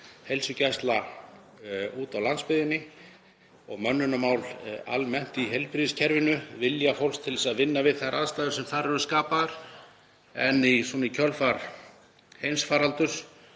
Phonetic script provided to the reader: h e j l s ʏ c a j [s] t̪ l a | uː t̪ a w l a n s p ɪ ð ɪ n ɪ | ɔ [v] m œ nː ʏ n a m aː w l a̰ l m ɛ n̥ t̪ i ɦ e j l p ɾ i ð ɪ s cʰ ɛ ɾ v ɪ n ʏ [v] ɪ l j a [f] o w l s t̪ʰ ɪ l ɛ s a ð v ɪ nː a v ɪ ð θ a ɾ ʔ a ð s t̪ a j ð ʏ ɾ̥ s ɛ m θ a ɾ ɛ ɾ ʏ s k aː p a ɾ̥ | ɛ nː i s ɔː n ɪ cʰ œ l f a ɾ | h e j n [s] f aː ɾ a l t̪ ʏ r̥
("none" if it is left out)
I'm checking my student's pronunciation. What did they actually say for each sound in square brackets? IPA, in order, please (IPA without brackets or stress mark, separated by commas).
s, ɣ, v, f, s